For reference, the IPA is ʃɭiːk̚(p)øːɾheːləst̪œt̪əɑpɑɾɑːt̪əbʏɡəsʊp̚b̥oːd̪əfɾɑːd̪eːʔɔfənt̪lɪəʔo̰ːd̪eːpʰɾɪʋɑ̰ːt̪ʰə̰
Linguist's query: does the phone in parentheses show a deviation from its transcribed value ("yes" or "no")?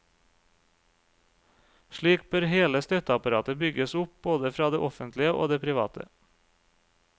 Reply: yes